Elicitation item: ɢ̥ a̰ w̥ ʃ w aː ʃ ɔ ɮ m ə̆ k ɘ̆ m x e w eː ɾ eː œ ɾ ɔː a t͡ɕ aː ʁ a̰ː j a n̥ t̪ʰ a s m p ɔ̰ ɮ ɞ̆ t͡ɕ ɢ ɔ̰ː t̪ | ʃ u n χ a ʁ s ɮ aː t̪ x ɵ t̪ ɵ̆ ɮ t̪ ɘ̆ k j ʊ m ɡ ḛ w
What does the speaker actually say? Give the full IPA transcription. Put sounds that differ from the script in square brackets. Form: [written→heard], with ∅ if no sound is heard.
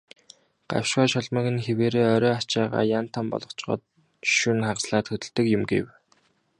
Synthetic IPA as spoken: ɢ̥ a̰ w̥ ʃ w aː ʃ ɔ ɮ m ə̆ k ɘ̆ [m→n] x e w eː ɾ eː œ ɾ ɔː a t͡ɕ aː ʁ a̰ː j a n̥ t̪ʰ a [s→∅] m p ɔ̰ ɮ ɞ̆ t͡ɕ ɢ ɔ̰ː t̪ | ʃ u n χ a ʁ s ɮ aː t̪ x ɵ t̪ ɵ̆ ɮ t̪ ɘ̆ k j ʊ m ɡ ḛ w